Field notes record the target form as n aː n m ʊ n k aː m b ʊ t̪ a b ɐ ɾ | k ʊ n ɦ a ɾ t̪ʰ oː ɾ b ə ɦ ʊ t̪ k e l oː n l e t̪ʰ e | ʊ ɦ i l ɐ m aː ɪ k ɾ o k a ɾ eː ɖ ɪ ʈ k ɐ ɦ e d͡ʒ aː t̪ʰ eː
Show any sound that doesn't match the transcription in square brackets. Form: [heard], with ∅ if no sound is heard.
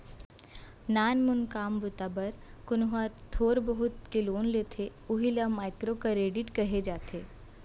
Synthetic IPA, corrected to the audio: n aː n m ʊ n k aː m b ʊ t̪ a b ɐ ɾ | k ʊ n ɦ a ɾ t̪ʰ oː ɾ b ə ɦ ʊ t̪ k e l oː n l e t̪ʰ e | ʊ ɦ i l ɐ m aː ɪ k ɾ o k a ɾ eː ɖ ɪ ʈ k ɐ ɦ e d͡ʒ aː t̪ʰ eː